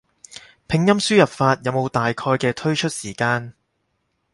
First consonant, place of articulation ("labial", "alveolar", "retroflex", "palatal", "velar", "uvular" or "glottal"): labial